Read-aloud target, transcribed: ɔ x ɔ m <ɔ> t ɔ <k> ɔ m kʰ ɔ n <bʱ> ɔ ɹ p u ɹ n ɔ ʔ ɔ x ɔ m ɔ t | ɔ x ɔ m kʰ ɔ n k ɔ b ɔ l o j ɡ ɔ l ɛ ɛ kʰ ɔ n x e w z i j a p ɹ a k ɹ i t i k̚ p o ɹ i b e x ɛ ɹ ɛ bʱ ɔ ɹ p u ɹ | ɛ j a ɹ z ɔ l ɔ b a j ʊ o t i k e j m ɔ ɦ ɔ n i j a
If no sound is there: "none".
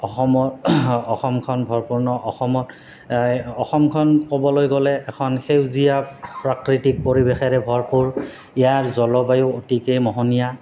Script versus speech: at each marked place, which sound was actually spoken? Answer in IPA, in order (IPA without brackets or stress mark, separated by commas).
ɔ, x, bʱ